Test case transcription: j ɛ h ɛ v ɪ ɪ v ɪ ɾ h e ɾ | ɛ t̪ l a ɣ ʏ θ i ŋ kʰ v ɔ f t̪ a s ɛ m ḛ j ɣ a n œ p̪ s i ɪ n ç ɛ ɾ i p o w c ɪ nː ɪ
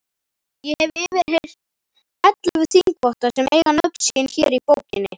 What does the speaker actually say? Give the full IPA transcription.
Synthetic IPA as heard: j ɛ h ɛ v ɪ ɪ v ɪ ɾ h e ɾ | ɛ t̪ l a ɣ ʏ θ i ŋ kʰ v ɔ h t̪ a s ɛ m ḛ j ɣ a n œ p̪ s i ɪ n ç ɛ ɾ i p o w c ɪ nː ɪ

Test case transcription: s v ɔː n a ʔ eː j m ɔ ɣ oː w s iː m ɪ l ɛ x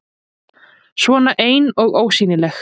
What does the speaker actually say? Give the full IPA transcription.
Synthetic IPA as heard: s v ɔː n a ʔ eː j n ɔ ɣ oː w s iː n ɪ l ɛ x

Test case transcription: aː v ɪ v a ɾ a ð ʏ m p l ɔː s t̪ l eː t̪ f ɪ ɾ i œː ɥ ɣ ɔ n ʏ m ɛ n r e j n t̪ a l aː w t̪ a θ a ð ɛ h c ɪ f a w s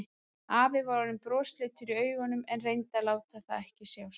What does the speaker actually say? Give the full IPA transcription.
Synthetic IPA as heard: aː v ɪ v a ɾ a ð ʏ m p ɾ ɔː s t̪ l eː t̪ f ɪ ɾ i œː ɥ ɣ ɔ n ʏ m ɛ n r e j n t̪ a l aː w t̪ a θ a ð ɛ h c ɪ s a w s

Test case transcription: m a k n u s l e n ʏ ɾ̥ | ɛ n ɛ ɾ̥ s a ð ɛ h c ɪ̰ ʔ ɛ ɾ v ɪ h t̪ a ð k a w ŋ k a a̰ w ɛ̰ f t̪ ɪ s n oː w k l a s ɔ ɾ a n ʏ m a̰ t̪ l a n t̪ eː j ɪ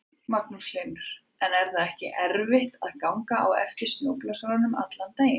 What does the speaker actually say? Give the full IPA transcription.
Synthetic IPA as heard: m a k n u s l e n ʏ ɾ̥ | ɛ n ɛ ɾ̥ θ a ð ɛ h c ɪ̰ ʔ ɛ ɾ v ɪ h t̪ a ð k a w ŋ k a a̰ w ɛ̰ f t̪ ɪ s n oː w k l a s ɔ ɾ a n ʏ m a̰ t̪ l a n t̪ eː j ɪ

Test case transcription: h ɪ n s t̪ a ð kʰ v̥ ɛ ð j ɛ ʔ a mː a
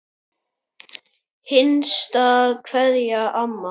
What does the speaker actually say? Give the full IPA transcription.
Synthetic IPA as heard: h ɪ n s t̪ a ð kʰ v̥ ɛ ð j a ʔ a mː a

